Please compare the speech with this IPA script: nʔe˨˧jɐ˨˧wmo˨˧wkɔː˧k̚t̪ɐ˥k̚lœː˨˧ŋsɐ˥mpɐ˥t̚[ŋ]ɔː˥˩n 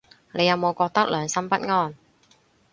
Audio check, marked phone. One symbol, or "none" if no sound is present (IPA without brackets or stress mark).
ŋ